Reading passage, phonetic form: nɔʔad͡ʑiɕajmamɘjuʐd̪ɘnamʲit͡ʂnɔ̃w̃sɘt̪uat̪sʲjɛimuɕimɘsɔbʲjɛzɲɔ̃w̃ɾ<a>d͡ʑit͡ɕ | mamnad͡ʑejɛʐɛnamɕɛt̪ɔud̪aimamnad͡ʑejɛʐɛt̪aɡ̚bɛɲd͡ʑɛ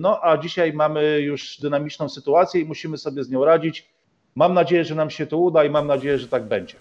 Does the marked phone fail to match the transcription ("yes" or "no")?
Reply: no